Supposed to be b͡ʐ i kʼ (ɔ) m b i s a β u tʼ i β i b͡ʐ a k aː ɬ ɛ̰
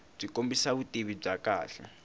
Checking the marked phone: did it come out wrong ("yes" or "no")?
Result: yes